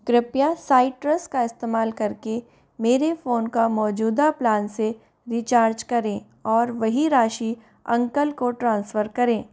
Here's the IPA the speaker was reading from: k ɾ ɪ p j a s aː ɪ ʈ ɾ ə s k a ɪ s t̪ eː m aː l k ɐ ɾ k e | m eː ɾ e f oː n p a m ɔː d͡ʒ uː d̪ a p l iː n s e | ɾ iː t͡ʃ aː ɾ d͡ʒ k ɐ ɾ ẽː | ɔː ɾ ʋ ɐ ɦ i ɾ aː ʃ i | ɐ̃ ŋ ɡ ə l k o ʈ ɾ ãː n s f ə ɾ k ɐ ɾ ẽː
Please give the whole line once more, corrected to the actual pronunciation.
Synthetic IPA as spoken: k ɾ ɪ p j a s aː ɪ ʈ ɾ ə s k a ɪ s t̪ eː m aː l k ɐ ɾ k e | m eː ɾ e f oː n k a m ɔː d͡ʒ uː d̪ a p l aː n s e | ɾ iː t͡ʃ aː ɾ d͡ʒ k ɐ ɾ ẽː | ɔː ɾ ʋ ɐ ɦ i ɾ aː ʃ i | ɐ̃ ŋ k ə l k o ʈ ɾ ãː n s f ə ɾ k ɐ ɾ ẽː